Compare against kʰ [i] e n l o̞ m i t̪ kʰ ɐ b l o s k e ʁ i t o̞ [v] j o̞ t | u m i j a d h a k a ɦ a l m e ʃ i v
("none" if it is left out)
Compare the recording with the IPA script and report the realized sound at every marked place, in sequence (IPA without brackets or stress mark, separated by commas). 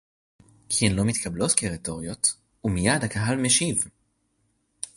i, ʁ